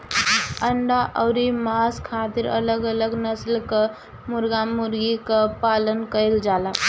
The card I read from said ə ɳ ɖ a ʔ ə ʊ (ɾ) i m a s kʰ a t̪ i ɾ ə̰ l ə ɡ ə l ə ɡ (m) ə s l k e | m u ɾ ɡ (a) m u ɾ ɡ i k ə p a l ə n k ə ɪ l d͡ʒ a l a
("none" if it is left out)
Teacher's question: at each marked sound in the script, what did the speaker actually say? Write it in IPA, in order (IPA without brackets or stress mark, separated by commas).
ɾ, n, a